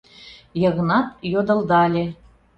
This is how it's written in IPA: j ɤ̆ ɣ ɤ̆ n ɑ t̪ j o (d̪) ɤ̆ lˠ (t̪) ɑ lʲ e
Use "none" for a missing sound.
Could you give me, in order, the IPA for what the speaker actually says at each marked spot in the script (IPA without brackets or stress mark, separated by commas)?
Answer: d̪, d̪